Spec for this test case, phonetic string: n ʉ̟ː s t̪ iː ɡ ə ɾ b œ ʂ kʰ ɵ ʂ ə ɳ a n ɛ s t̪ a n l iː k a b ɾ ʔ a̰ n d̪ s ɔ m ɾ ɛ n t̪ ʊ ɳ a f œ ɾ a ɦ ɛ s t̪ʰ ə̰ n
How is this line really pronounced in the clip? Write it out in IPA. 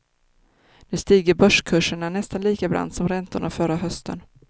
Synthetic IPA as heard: n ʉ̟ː s t̪ iː ɡ ə ɾ b œ ʂ kʰ ɵ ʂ ə ɳ a n ɛ s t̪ a n l iː k a b ɾ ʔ a̰ n d̪ s ɔ m ɾ ɛ n t̪ ʊ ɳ a f œ ɾ a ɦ œ s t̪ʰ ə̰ n